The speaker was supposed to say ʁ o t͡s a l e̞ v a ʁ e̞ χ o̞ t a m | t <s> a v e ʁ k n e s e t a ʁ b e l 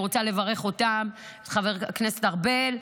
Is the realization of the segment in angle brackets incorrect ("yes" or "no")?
yes